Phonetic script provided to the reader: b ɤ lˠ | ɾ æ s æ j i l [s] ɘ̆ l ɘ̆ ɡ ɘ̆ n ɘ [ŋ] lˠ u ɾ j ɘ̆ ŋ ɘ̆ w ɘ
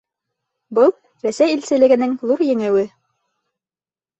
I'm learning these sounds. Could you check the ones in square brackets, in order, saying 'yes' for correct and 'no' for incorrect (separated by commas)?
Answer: yes, yes